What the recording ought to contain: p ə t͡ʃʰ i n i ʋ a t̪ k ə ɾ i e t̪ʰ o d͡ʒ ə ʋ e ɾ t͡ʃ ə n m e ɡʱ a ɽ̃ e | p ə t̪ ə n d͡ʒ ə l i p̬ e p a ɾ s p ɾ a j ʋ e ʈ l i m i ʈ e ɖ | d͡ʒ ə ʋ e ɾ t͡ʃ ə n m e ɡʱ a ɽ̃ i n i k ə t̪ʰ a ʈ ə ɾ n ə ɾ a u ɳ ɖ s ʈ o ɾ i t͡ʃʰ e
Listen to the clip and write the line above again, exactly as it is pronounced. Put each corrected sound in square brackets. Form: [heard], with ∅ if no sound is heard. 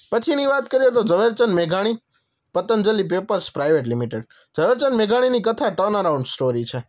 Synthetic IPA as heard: p ə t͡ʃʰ i n i ʋ a t̪ k ə ɾ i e [t̪] o d͡ʒ ə ʋ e ɾ t͡ʃ ə n m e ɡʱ a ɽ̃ [i] | p ə t̪ ə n d͡ʒ ə l i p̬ e p [ə] ɾ s p ɾ a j ʋ e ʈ l i m i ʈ e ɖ | d͡ʒ ə ʋ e ɾ t͡ʃ ə n m e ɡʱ a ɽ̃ i n i k ə t̪ʰ a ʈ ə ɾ n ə ɾ a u ɳ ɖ s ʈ o ɾ i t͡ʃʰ e